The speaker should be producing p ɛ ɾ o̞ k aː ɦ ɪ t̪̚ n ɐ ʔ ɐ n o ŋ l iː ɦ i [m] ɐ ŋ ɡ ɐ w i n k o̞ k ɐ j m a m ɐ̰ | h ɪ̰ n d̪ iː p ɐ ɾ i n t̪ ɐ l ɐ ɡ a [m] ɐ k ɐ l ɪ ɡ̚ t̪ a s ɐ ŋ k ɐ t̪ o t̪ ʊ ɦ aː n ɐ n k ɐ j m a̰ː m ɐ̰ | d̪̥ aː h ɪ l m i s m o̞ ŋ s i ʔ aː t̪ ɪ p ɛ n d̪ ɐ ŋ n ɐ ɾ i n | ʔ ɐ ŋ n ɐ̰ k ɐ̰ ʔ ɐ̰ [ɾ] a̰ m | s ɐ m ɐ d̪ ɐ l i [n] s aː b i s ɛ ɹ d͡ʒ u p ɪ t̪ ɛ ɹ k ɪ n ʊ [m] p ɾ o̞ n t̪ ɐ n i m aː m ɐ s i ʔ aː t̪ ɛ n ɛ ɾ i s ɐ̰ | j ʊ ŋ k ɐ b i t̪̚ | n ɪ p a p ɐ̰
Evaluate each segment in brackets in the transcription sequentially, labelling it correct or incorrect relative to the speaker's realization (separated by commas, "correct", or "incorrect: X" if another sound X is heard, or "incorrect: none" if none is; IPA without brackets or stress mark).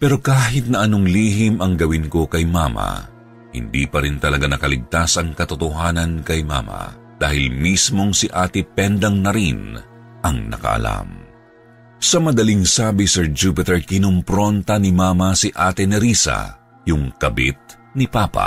correct, incorrect: n, incorrect: l, incorrect: ŋ, correct